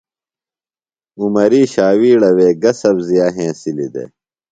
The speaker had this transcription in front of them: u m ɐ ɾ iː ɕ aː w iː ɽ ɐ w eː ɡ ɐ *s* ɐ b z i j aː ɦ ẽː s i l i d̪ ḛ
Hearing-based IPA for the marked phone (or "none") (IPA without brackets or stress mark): s